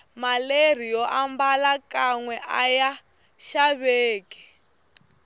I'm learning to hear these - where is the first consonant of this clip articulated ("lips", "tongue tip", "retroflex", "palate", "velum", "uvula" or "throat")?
lips